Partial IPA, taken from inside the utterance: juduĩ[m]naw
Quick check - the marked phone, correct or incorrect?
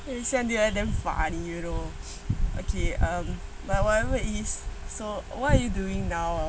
incorrect